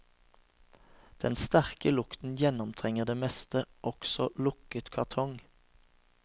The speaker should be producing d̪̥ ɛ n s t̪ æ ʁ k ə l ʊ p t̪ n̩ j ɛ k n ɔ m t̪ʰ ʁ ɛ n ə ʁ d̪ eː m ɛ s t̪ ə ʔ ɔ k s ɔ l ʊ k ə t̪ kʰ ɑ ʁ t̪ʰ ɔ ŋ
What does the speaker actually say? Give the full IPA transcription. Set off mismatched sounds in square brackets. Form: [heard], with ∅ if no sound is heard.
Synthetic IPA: d̪̥ ɛ n s t̪ æ ʁ k ə l ʊ [k] t̪ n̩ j ɛ [∅] n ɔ m t̪ʰ ʁ ɛ [ŋ] ə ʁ d̪ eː m ɛ s t̪ ə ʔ ɔ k s ɔ l ʊ k ə t̪ kʰ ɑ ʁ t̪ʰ ɔ ŋ